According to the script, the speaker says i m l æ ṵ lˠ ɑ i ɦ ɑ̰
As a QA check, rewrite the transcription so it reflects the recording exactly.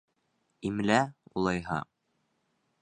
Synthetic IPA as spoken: i m l æ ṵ lˠ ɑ j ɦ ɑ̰